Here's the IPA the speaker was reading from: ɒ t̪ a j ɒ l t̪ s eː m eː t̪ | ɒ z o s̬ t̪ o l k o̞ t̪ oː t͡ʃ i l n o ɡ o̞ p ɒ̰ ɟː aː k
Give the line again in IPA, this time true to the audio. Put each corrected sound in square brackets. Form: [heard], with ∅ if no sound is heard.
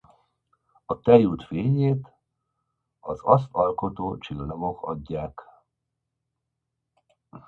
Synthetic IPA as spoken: ɒ t̪ [ɛ] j [u] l t̪ [f] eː [ɲ] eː t̪ | ɒ z [ɒ] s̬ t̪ [ɒ] l k o̞ t̪ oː t͡ʃ i l n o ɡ o̞ [k] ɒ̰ ɟː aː k